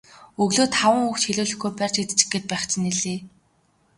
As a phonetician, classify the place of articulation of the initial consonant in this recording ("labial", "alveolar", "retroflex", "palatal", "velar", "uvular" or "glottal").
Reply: velar